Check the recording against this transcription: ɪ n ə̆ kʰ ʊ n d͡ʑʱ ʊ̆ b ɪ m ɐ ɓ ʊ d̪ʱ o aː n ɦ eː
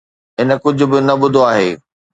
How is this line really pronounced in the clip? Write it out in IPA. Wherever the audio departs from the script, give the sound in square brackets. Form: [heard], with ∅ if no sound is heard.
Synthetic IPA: ɪ n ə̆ [k] ʊ [∅] d͡ʑʱ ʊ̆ b ɪ [n] ɐ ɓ ʊ d̪ʱ o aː [∅] ɦ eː